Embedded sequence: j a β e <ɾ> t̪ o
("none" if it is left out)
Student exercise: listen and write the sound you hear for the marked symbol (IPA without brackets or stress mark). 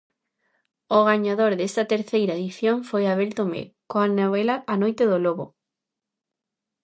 l